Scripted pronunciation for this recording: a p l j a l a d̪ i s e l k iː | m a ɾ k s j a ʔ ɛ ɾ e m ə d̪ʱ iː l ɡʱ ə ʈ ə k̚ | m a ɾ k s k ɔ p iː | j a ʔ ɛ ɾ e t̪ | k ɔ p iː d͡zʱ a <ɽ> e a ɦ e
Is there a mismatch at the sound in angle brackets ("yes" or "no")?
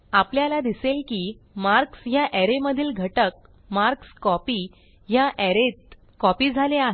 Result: yes